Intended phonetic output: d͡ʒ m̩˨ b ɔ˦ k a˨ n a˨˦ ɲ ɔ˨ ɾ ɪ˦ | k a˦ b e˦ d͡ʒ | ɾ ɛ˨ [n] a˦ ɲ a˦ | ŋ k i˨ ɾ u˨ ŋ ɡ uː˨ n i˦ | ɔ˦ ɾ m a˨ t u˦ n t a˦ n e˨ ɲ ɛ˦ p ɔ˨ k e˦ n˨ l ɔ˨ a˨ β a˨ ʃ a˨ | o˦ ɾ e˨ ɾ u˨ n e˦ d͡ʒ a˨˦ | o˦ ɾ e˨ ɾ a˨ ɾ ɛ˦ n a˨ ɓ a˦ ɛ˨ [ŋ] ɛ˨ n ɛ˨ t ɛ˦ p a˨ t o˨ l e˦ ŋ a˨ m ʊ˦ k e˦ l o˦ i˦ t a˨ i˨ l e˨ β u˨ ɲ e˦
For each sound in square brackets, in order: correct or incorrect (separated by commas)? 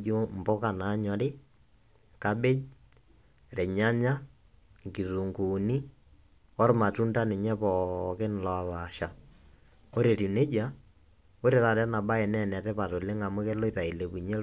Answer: incorrect, incorrect